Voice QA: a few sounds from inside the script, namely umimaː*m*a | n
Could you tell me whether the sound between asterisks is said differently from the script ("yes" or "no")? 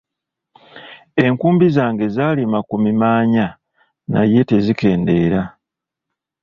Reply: yes